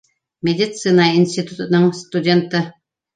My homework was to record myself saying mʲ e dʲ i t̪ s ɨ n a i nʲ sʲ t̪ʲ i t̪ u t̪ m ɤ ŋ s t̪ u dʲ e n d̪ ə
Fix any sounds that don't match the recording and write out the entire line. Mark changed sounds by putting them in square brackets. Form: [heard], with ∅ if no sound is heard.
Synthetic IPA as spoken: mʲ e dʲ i t̪ s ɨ n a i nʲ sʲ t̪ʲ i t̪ u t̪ [n] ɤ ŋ s t̪ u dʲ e n [t̪] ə